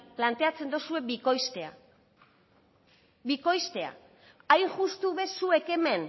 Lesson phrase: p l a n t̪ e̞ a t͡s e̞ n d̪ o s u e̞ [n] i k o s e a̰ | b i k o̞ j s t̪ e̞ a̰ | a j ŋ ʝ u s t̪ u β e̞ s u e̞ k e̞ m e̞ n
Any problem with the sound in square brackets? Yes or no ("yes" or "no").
yes